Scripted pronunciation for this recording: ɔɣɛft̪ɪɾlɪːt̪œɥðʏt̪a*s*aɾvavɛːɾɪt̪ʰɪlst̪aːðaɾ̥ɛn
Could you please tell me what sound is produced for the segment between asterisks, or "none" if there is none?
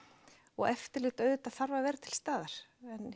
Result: θ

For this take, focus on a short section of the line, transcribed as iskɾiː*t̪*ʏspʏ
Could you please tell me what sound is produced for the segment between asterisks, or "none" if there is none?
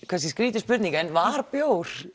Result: t̪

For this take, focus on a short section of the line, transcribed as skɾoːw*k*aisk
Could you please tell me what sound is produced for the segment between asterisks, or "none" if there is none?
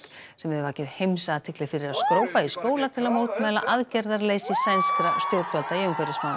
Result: p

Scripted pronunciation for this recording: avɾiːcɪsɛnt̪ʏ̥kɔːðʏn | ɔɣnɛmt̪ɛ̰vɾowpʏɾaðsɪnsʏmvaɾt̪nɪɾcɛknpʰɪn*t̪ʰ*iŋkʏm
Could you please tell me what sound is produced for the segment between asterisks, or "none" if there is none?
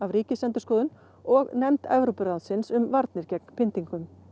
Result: t̪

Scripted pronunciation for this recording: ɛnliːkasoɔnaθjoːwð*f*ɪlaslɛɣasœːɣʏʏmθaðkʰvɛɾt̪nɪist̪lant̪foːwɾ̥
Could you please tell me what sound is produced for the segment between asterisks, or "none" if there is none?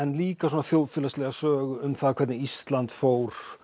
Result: f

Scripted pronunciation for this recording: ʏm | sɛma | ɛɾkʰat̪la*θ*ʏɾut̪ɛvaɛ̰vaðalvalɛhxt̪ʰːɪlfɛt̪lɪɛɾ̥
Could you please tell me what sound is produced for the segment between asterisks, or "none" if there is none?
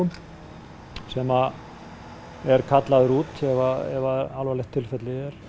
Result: ð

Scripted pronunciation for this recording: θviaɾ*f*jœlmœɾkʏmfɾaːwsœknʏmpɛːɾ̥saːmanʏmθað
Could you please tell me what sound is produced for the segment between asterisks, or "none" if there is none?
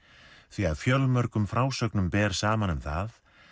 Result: f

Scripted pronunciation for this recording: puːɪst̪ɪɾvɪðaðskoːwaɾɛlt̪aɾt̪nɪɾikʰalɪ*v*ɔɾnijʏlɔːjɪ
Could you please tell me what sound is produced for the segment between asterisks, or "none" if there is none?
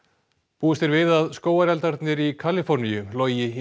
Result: f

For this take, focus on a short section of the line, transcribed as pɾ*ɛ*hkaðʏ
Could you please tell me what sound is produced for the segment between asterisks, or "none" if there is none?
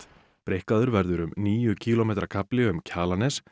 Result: e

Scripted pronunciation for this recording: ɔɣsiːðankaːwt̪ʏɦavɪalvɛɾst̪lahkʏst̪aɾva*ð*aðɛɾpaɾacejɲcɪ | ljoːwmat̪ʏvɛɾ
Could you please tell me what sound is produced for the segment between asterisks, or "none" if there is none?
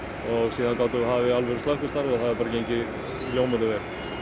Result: θ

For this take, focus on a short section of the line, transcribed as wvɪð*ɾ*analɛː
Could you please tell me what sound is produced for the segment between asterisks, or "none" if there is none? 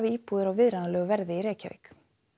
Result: ɾ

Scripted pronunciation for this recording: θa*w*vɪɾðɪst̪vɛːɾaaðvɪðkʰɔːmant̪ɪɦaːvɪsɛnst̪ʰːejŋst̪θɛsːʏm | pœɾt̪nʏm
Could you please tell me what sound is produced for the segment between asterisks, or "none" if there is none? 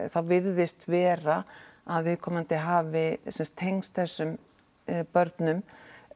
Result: w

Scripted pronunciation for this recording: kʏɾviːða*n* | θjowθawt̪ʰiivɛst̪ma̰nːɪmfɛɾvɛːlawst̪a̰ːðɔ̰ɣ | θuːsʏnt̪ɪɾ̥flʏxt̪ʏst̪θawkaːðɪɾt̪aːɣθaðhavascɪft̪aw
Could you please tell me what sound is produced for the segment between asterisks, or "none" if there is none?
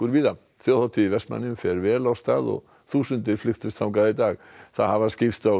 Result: none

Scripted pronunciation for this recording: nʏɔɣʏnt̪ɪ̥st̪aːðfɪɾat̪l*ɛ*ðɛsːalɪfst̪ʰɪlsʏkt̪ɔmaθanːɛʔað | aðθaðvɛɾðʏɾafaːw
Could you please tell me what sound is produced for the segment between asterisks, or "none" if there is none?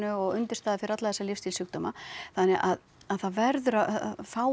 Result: a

